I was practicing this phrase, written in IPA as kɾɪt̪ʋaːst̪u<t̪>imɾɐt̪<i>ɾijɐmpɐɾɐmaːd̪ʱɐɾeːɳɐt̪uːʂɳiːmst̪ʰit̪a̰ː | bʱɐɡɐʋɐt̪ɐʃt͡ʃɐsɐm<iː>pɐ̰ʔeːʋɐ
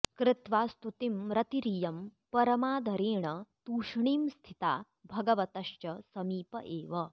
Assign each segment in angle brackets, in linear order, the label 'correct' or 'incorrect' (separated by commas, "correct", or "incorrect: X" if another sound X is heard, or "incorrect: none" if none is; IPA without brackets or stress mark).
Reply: correct, correct, correct